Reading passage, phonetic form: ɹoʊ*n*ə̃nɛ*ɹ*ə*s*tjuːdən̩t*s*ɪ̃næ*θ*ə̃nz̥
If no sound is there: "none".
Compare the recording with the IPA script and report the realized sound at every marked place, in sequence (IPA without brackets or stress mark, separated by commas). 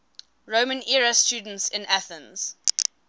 m, ɹ, s, s, θ